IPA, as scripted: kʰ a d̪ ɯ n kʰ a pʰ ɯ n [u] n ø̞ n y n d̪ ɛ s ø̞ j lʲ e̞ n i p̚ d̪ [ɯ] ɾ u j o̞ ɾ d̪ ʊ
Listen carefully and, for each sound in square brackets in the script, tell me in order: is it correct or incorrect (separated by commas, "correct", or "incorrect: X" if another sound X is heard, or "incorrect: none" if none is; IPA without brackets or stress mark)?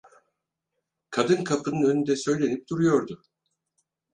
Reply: incorrect: ɯ, incorrect: u